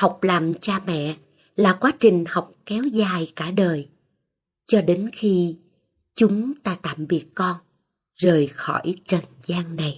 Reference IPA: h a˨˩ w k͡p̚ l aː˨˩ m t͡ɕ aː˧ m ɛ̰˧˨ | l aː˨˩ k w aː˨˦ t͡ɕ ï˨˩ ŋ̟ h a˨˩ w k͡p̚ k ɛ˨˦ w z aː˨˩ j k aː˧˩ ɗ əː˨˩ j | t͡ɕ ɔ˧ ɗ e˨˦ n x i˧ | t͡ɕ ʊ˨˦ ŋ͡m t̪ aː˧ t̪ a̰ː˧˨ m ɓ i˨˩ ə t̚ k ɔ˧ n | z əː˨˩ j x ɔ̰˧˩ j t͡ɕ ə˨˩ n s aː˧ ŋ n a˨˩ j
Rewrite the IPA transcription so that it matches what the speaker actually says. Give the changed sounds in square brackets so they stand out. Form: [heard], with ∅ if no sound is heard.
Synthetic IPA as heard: h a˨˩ w k͡p̚ l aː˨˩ m t͡ɕ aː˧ m ɛ̰˧˨ | l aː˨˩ k w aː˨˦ t͡ɕ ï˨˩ ŋ̟ h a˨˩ w k͡p̚ k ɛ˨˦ w z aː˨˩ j k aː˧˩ ɗ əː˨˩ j | t͡ɕ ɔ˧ ɗ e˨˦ n x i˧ | t͡ɕ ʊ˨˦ ŋ͡m t̪ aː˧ t̪ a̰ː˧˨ m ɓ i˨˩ ə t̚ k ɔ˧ n | z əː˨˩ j x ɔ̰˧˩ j t͡ɕ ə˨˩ n [z] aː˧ ŋ n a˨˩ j